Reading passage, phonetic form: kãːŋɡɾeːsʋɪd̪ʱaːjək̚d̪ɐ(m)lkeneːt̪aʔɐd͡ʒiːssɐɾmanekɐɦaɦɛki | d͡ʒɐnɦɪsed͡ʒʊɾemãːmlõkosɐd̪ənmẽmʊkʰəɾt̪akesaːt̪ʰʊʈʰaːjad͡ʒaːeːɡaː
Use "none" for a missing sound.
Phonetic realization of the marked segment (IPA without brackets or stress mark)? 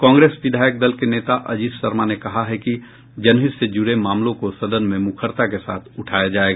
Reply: none